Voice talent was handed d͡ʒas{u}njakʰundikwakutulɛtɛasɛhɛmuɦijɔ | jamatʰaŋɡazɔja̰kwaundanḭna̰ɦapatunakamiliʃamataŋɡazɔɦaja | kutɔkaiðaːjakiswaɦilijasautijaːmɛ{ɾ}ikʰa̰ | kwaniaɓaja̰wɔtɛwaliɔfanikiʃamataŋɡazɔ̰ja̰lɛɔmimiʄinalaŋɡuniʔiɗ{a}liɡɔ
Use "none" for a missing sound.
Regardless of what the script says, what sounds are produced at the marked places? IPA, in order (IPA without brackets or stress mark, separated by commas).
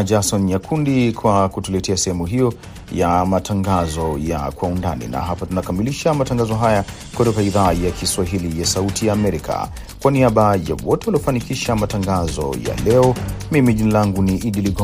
ɔ, ɾ, i